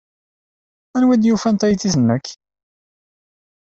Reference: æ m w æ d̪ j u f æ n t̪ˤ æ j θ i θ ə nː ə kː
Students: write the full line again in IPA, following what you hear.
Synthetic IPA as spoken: æ n w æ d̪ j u f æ n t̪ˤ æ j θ i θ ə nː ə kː

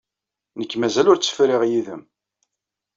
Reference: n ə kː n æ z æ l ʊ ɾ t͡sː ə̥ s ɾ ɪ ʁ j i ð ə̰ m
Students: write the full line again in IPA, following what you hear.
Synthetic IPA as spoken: n ə kː m æ z æ l ʊ ɾ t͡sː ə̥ f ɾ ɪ ʁ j i ð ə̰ m

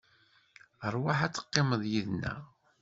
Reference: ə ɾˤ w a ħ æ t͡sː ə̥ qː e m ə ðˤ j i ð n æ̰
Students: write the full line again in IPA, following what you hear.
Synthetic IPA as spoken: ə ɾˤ w a ħ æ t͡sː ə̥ qː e m ə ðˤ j i ð n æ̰

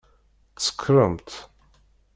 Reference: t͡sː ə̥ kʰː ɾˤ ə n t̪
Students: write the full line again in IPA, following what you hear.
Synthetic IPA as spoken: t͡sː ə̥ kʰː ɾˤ ə m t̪

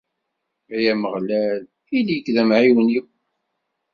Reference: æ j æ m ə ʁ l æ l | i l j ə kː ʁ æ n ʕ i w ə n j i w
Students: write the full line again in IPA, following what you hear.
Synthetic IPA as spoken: æ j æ m ə ʁ l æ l | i l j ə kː ð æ m ʕ i w ə n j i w

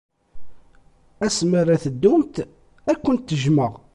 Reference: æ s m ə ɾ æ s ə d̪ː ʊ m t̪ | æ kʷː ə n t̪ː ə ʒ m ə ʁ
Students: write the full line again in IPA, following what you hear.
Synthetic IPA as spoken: æ s m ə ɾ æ θ ə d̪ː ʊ m t̪ | æ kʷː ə n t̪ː ə ʒ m ə ʁ

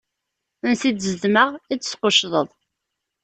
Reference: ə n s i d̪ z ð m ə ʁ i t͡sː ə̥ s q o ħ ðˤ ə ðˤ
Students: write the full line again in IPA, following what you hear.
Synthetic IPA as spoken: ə n s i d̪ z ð m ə ʁ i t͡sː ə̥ s q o ʃ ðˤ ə ðˤ

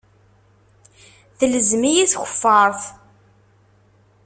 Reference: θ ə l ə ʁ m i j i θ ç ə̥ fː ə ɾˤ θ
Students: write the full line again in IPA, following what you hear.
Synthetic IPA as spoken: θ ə l ə z m i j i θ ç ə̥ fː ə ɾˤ θ

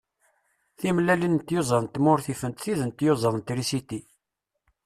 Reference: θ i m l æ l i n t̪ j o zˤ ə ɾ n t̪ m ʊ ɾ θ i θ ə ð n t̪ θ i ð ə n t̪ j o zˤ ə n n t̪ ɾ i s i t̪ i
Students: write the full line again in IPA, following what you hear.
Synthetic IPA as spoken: θ i m l æ l i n t̪ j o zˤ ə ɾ n t̪ m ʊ ɾ θ i f ə n t̪ θ i ð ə n t̪ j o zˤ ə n n t̪ ɾ i s i t̪ i

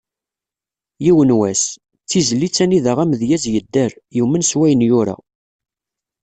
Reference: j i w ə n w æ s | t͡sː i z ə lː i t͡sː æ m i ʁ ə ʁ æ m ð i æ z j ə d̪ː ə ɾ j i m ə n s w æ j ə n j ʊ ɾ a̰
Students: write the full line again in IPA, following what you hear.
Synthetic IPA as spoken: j i w ə n w æ s | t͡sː i z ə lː i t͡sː æ n i ð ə ʁ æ m ð j æ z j ə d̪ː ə ɾ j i m ə n s w æ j ə n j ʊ ɾ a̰

